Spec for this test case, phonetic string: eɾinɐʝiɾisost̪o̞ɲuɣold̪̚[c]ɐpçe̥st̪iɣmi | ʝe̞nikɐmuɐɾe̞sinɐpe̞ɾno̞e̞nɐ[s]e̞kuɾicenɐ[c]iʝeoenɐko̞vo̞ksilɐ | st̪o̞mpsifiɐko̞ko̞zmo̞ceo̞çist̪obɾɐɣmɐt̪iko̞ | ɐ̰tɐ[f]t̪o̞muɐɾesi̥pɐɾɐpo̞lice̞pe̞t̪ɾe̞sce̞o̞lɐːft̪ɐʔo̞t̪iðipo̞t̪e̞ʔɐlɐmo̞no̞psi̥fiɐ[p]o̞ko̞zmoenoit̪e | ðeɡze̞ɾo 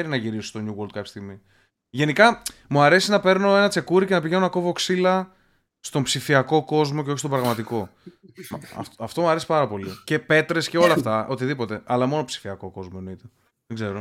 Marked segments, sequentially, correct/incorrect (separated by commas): incorrect, incorrect, incorrect, correct, incorrect